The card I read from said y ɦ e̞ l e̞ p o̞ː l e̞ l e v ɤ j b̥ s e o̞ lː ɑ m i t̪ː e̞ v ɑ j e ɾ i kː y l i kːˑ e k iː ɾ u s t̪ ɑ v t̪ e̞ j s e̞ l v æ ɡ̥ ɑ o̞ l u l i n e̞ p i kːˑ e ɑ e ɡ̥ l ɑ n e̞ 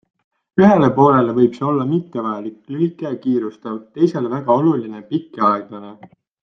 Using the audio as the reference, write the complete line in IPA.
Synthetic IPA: y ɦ e̞ l e̞ p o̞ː l e̞ l e v ɤ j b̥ s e o̞ lː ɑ m i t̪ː e̞ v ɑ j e l i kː y l i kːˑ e k iː ɾ u s t̪ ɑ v t̪ e̞ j s e̞ l v æ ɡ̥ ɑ o̞ l u l i n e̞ p i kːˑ e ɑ e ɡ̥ l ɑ n e̞